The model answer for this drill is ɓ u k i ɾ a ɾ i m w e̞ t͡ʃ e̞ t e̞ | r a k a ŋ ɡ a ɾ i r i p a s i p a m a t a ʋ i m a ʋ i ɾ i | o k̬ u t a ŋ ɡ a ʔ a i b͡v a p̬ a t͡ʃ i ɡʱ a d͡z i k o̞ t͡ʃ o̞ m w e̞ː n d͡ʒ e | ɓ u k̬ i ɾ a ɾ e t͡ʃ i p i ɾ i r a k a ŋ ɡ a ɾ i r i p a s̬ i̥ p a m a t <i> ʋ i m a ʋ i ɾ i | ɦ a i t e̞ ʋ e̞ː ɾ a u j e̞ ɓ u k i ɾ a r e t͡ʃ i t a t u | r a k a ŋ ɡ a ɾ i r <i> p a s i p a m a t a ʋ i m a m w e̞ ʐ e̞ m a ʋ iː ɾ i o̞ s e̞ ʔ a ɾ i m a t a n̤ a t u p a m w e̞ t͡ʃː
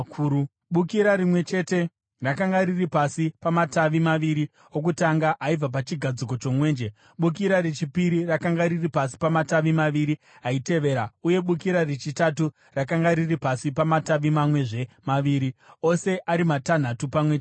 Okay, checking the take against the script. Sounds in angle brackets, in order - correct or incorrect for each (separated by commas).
incorrect, correct